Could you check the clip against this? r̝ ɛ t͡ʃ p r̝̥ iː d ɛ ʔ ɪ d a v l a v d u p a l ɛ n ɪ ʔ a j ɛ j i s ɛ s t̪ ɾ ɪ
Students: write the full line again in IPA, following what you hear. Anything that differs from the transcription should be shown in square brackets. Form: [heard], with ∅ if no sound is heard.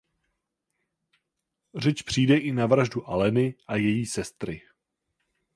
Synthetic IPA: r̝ ɛ t͡ʃ p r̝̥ iː d ɛ ʔ ɪ [n] a v [ɾ] a [ʒ] d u [ʔ] a l ɛ n ɪ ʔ a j ɛ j [iː] s ɛ s t̪ ɾ ɪ